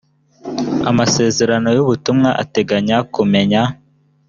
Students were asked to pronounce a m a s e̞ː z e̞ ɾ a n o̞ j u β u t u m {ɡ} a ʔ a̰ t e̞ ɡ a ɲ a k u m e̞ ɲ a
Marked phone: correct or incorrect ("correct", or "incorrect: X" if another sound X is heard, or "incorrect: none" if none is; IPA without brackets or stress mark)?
incorrect: ŋ